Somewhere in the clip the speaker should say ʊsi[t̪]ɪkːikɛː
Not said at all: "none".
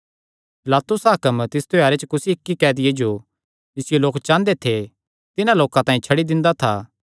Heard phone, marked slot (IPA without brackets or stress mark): none